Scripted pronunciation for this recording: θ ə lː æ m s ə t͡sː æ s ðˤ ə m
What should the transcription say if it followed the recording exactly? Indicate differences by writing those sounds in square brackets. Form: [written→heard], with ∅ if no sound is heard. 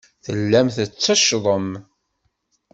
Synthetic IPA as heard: θ ə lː æ m [s→θ] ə t͡sː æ [s→ʃ] ðˤ ə m